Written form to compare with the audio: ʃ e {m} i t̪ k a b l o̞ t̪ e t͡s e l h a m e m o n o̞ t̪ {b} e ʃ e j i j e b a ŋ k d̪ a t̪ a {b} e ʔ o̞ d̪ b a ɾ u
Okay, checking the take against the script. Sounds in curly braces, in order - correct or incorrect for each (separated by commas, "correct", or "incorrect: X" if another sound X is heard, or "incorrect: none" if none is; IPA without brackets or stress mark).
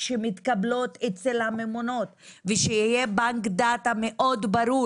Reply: correct, incorrect: v, incorrect: m